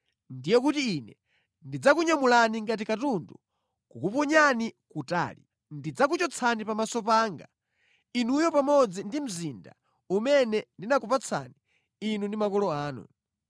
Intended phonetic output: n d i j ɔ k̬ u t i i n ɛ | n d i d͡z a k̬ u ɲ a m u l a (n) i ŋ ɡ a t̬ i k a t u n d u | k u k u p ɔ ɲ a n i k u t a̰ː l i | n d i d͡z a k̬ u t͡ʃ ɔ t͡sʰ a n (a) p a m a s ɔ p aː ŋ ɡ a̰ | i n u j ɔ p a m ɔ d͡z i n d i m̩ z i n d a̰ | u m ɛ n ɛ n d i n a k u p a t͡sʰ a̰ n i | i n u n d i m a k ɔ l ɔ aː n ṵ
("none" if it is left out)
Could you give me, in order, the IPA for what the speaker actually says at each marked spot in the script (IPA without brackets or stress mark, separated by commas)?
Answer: n, i